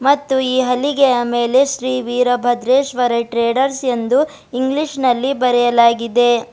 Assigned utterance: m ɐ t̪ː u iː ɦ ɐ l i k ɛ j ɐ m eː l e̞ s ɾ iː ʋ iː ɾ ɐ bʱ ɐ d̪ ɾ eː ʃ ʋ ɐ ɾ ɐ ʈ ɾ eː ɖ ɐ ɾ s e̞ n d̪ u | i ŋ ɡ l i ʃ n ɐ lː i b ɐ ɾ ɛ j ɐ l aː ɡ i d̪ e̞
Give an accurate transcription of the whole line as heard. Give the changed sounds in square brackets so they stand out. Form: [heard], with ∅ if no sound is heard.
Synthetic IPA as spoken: m ɐ t̪ː u iː ɦ ɐ l i [ɡ] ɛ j ɐ m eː l e̞ [ʃ] ɾ iː ʋ iː ɾ ɐ bʱ ɐ d̪ ɾ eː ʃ ʋ ɐ ɾ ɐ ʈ ɾ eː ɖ ɐ ɾ s e̞ n d̪ u | i ŋ ɡ l i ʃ n ɐ lː i b ɐ ɾ ɛ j ɐ l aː ɡ i d̪ e̞